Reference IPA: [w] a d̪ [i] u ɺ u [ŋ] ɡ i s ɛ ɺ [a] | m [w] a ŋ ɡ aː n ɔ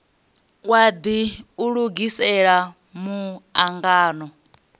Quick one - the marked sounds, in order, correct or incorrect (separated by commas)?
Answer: correct, correct, incorrect, correct, incorrect